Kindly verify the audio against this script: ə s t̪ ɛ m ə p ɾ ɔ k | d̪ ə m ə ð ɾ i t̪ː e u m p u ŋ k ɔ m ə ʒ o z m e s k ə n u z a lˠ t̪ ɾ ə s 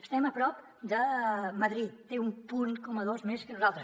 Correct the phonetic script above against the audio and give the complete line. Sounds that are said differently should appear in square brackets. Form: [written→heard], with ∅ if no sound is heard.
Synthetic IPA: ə s t̪ ɛ m ə p ɾ ɔ [k→p] | d̪ ə m ə ð ɾ i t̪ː e u m p u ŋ k ɔ m ə [ʒ→ð] o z m e s k ə n u z a lˠ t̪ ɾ ə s